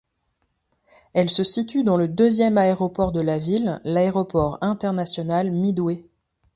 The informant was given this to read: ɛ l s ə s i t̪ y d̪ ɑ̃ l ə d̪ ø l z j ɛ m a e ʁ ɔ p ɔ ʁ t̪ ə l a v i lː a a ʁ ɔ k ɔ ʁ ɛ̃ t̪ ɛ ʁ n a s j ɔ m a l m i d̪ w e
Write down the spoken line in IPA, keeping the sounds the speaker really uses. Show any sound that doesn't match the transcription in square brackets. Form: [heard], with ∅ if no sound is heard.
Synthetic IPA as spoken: ɛ l s ə s i t̪ y d̪ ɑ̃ l ə d̪ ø [∅] z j ɛ m a e ʁ ɔ p ɔ ʁ [d̪] ə l a v i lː a [e] ʁ ɔ [p] ɔ ʁ ɛ̃ t̪ ɛ ʁ n a s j ɔ [n] a l m i d̪ w e